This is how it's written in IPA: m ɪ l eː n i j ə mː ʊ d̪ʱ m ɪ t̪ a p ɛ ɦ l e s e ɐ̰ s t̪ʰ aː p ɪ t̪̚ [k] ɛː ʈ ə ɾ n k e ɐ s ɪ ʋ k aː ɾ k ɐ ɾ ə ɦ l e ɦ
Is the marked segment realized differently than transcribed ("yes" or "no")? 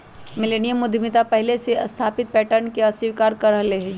yes